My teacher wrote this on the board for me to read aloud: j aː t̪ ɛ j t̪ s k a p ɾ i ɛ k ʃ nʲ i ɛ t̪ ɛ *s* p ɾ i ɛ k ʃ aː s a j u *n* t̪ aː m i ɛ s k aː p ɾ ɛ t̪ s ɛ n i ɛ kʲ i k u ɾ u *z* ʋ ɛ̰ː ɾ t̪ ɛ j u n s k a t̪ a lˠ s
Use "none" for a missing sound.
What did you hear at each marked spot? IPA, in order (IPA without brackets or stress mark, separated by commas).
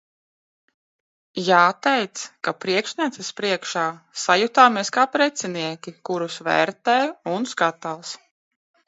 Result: s, none, s